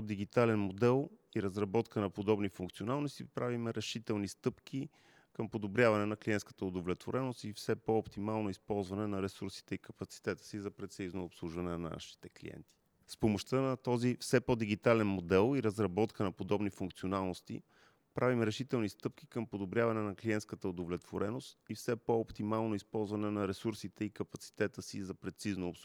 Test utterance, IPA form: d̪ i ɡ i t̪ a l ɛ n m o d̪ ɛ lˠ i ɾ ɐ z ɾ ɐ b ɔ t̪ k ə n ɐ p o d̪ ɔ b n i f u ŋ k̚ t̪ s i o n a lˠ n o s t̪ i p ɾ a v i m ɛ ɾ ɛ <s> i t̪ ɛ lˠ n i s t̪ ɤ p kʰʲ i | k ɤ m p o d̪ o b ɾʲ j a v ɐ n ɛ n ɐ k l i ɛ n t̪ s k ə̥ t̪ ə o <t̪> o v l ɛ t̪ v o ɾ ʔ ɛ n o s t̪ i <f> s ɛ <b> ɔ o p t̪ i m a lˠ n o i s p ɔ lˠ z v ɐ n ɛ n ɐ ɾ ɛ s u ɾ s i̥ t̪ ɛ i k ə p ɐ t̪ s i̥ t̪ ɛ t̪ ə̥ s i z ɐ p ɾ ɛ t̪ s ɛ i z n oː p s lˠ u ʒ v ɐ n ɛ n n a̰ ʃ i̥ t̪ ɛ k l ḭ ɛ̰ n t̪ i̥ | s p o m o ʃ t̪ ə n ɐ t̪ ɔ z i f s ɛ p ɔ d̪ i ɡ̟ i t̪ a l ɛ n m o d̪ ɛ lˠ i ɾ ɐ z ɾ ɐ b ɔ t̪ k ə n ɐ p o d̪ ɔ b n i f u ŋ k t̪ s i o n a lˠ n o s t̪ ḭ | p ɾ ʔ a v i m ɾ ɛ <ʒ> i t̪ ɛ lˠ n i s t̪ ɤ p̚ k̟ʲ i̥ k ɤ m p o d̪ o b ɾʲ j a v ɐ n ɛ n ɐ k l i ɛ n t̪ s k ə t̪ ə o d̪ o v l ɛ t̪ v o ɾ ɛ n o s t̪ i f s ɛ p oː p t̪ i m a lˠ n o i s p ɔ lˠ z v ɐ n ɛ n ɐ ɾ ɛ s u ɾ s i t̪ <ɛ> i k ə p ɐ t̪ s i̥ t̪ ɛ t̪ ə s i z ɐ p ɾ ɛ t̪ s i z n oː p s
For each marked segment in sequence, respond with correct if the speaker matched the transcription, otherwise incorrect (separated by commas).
incorrect, incorrect, correct, incorrect, incorrect, correct